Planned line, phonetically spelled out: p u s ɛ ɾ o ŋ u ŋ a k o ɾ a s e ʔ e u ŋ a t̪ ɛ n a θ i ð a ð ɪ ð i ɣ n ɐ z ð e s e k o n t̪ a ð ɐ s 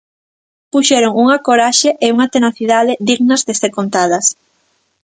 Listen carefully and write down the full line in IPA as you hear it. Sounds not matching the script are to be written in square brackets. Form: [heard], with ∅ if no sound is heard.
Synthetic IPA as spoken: p u [ʃ] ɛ ɾ o ŋ u ŋ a k o ɾ a [ʃ] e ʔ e u ŋ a t̪ [e] n a θ i ð a ð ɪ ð i ɣ n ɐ z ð e s e k o n t̪ a ð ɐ s